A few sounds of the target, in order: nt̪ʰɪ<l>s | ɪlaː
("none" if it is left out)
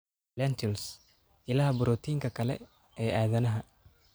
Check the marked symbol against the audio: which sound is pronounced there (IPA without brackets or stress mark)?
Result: l